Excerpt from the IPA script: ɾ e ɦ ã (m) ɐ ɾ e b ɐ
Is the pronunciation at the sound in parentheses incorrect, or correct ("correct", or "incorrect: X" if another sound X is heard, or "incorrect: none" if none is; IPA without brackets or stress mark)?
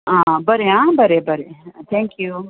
incorrect: b